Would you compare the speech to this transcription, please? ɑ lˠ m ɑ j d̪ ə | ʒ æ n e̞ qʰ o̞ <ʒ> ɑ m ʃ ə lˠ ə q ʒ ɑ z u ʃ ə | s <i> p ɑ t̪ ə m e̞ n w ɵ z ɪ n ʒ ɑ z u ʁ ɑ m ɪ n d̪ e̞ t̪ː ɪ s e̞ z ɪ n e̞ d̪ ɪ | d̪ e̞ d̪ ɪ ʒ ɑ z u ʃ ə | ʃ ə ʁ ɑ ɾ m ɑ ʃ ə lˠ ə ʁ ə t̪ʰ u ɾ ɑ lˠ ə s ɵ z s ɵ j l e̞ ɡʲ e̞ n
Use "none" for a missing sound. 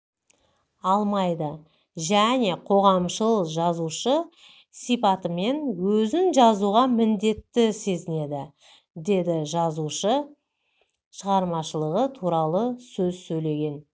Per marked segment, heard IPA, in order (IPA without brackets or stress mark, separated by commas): ʁ, i